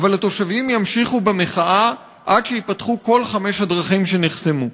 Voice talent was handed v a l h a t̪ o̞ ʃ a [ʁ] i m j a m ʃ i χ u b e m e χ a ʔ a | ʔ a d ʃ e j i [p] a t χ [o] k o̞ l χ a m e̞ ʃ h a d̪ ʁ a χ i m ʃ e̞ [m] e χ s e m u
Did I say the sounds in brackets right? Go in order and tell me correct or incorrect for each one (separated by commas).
incorrect, correct, incorrect, incorrect